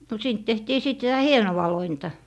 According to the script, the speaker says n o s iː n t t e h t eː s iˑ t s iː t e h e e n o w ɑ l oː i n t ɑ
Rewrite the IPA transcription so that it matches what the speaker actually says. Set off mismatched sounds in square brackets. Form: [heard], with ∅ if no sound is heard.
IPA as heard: n o s iː n t t e h t [iː] s iˑ t s [i] t [æ] h [i] e n o w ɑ l [o] i n t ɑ

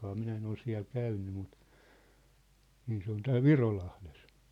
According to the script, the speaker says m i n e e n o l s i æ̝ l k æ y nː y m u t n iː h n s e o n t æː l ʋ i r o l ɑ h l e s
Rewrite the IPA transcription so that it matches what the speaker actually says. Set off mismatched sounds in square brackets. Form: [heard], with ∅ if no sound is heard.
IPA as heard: m i n [æ] e n o l s i æ̝ l k æ y nː y m u t n iː [∅] n s e o n t æː l ʋ i r o l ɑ h l e s

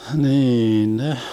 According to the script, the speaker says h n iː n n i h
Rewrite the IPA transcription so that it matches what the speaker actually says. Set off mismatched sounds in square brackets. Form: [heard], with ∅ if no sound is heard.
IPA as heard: h n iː n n [e] h

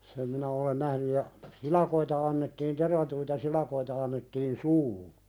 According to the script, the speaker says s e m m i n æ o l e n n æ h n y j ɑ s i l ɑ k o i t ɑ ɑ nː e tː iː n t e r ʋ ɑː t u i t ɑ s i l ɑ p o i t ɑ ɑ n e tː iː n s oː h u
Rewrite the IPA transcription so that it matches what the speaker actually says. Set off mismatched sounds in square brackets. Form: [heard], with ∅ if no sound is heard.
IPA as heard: s e m m i n æ o l e n n æ h n y j ɑ s i l ɑ k o i t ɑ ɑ nː e tː iː n t e r ʋ [ɑ] t u i t ɑ s i l ɑ [k] o i t ɑ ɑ [nː] e tː iː n s [uː] h u

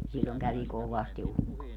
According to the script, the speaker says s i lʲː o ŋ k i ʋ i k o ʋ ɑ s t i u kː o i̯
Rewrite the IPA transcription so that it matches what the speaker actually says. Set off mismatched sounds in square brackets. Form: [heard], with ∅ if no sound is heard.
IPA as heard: s i lʲː o ŋ k [æ] ʋ i k o ʋ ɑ s t i u kː o i̯

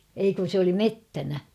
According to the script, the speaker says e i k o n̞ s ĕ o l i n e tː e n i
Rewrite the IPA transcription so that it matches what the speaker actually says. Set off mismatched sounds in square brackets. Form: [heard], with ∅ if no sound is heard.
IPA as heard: e i k [u] n̞ s ĕ o l i [m] e tː [æ] n [æ]

